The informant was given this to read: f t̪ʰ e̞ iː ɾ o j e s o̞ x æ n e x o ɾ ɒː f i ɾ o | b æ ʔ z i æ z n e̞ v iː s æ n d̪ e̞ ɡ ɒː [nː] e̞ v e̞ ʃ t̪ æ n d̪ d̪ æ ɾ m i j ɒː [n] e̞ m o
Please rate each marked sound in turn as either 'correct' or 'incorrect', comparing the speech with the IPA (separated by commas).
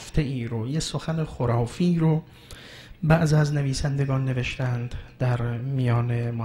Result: correct, correct